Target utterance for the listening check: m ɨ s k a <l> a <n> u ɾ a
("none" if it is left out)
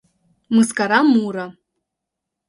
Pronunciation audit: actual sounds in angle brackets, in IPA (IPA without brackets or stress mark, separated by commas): ɾ, m